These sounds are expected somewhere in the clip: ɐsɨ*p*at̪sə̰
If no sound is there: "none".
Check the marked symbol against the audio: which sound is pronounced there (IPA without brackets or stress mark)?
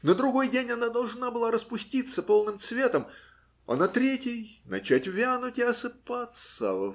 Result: p